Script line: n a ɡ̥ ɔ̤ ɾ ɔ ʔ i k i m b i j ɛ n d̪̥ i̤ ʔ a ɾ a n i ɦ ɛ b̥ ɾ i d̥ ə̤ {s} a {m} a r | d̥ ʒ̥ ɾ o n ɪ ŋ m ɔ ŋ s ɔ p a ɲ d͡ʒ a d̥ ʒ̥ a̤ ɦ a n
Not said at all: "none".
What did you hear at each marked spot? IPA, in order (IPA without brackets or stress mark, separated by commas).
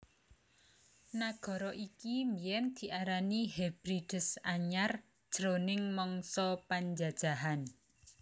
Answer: s, ɲ